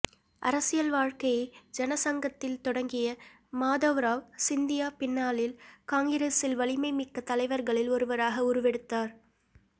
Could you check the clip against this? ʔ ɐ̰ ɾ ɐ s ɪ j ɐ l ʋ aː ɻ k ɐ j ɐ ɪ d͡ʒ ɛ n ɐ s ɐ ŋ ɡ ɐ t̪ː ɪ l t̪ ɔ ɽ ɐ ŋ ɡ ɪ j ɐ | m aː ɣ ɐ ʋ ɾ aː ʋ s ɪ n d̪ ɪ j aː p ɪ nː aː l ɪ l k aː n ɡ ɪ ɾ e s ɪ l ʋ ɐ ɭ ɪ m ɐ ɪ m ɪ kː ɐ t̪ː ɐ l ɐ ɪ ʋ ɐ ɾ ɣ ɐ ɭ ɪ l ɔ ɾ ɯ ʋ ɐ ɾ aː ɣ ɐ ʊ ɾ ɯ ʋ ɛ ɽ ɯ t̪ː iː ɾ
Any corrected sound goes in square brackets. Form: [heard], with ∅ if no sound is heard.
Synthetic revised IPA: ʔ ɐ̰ ɾ ɐ s ɪ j ɐ l ʋ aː ɻ k ɐ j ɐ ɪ d͡ʒ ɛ n ɐ s ɐ ŋ ɡ ɐ t̪ː ɪ l t̪ ɔ ɽ ɐ ŋ ɡ ɪ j ɐ | m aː [ð] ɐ ʋ ɾ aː ʋ s ɪ n d̪ ɪ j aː p ɪ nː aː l ɪ l k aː [ŋ] ɡ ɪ ɾ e s ɪ l ʋ ɐ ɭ ɪ m ɐ ɪ m ɪ kː ɐ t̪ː ɐ l ɐ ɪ ʋ ɐ ɾ ɣ ɐ ɭ ɪ l ɔ ɾ ɯ ʋ ɐ ɾ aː ɣ ɐ ʊ ɾ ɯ ʋ ɛ ɽ ɯ t̪ː [aː] ɾ